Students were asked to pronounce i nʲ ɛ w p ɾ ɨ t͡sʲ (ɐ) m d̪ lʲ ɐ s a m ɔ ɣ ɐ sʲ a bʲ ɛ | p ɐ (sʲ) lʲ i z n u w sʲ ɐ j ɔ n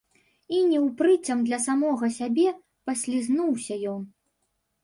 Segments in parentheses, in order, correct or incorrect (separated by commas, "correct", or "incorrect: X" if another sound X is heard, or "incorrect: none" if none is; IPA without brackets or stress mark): correct, correct